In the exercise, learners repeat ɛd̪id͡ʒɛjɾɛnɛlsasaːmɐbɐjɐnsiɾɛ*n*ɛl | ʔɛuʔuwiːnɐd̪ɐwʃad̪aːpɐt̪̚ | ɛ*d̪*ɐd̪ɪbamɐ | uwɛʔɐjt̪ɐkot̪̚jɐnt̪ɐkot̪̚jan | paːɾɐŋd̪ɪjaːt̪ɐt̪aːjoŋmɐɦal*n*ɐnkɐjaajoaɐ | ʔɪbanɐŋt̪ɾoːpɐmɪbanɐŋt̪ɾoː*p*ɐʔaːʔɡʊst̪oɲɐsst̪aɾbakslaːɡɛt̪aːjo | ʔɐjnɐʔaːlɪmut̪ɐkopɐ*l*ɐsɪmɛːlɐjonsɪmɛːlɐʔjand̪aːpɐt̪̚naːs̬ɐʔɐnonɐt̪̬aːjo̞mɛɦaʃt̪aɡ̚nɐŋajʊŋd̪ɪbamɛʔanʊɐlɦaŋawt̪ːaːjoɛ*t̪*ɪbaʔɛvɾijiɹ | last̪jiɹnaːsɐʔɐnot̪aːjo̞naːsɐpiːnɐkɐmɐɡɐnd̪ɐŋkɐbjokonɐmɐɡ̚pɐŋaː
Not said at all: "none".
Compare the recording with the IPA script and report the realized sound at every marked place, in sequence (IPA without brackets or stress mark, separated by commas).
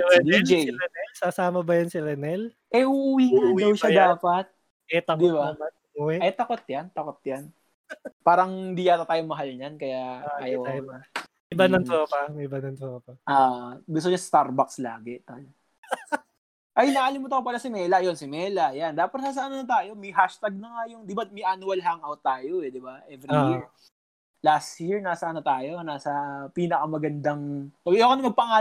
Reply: n, t̪, ɲ, p, l, d̪